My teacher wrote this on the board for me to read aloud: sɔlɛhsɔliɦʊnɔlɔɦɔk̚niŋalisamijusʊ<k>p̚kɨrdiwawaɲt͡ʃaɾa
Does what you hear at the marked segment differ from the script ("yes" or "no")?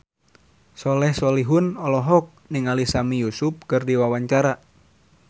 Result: yes